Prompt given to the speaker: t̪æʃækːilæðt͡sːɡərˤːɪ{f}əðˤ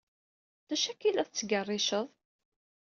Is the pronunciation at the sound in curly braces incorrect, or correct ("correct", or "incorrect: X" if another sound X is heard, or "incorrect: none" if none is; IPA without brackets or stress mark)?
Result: incorrect: ʃ